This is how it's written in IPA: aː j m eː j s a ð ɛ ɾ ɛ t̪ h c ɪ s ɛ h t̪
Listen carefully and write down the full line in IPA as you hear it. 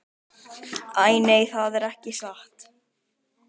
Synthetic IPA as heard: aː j n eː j θ a ð ɛ ɾ ɛ h c ɪ s a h t̪